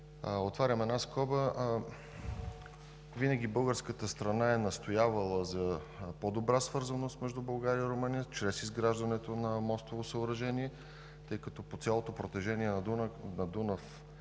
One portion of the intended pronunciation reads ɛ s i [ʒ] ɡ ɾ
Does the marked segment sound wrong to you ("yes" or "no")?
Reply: yes